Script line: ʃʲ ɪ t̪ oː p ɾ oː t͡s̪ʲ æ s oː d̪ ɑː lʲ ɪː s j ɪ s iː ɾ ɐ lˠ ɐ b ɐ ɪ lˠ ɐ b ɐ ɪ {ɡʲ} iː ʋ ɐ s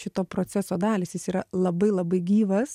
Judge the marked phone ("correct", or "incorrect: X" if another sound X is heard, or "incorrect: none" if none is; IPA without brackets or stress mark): correct